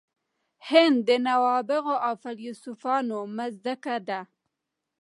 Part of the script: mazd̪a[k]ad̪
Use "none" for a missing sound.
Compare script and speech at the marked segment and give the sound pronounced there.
k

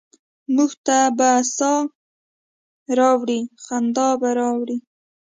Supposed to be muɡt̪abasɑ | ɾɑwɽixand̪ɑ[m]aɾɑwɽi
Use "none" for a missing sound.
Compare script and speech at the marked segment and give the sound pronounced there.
b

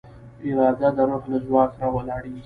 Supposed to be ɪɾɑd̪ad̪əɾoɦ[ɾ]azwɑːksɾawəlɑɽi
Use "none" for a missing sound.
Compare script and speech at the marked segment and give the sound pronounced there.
l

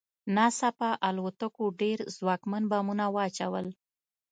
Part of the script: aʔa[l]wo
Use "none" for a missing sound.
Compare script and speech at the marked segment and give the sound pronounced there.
l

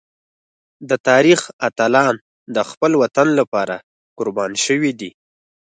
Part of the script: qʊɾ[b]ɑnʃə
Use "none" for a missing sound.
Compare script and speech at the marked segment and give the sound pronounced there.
b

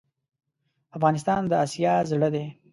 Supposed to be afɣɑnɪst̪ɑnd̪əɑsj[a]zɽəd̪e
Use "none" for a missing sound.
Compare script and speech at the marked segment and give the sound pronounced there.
ɑ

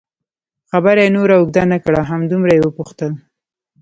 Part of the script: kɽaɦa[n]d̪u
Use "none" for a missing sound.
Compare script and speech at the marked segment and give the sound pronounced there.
m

